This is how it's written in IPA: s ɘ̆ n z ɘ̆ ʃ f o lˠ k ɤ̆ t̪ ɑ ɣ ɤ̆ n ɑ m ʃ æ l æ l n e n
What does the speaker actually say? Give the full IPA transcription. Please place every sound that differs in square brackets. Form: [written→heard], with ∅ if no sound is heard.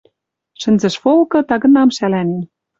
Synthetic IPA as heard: [s→ʃ] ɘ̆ n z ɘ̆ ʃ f o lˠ k ɤ̆ t̪ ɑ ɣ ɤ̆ n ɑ m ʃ æ l æ [l→∅] n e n